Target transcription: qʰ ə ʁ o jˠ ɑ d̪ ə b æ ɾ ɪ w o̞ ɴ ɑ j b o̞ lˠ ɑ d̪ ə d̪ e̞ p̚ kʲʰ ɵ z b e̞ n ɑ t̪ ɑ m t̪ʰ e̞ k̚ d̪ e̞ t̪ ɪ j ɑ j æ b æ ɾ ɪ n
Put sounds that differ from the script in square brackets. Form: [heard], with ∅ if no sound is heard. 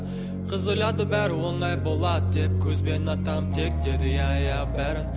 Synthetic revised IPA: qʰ ə [z] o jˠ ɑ d̪ ə b æ ɾ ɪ w o̞ ɴ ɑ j b o̞ lˠ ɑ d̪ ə d̪ e̞ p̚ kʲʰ ɵ z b e̞ n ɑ t̪ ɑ m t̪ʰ e̞ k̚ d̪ e̞ [d̪] ɪ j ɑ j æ b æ ɾ ɪ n